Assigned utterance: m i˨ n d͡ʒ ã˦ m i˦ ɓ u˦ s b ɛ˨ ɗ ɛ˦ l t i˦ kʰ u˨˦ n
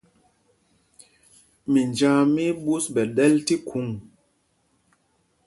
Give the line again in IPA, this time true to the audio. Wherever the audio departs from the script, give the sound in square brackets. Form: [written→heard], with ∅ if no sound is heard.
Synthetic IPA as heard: m i˨ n d͡ʒ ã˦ m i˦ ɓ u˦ s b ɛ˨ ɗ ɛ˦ l t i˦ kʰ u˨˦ [n→ŋ]

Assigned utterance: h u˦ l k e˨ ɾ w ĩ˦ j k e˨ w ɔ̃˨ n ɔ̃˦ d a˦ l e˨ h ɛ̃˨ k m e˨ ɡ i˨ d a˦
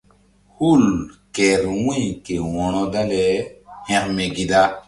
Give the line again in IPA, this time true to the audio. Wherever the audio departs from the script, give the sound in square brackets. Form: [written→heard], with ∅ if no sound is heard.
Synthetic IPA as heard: h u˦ l k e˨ ɾ w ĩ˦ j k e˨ w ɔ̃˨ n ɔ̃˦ d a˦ l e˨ h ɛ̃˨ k m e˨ ɡ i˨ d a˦

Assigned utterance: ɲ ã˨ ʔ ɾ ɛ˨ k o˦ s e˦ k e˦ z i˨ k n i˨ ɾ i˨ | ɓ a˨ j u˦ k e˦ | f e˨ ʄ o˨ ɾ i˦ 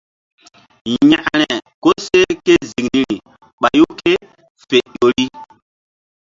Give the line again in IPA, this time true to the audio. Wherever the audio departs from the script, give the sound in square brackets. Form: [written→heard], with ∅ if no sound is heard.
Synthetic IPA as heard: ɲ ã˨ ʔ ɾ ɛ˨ k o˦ s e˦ k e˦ z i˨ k n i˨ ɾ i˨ | ɓ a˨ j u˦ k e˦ | f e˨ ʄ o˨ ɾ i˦

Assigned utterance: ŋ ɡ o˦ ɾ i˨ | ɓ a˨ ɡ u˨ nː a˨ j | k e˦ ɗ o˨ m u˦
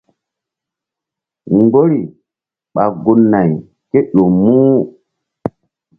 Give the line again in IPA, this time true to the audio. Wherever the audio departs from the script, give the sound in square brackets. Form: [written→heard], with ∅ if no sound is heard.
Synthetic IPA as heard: ŋ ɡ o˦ ɾ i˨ | ɓ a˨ ɡ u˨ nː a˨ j | k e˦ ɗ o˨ m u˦

